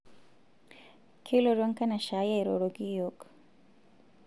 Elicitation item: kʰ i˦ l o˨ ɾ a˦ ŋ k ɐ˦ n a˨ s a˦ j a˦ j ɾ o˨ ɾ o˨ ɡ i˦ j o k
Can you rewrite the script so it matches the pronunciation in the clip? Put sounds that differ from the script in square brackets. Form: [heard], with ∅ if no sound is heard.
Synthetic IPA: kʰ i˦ l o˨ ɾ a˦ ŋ k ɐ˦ n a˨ [ʃ] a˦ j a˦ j ɾ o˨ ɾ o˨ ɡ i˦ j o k